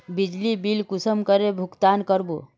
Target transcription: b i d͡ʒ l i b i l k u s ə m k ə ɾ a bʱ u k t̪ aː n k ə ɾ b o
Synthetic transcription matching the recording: b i d͡ʒ l i b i l k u s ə m k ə ɾ e bʱ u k t̪ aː n k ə ɾ b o